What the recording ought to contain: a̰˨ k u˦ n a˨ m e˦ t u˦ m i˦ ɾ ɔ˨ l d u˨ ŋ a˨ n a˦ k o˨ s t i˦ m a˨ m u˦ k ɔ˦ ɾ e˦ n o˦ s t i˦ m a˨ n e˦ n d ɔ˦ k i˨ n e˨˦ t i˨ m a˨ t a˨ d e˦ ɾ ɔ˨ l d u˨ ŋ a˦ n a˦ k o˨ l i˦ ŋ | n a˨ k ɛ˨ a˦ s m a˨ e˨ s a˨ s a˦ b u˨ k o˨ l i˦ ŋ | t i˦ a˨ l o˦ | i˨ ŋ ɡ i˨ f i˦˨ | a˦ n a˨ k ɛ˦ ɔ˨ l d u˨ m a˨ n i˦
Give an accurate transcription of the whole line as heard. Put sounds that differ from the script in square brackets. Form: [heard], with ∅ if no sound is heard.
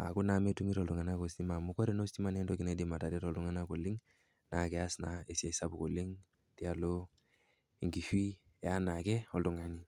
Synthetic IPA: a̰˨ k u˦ n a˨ m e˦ t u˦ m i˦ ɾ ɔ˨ l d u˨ ŋ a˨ n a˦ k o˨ s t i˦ m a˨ m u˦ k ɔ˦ ɾ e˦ n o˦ s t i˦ m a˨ n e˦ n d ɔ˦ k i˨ n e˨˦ [d] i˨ m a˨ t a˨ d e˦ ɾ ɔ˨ l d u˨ ŋ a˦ n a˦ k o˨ l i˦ ŋ | n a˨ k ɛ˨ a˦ s [n] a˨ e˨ s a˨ s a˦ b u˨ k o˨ l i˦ ŋ | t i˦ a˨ l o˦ | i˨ ŋ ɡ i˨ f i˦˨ | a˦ n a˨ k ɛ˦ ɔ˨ l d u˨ [ŋ] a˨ n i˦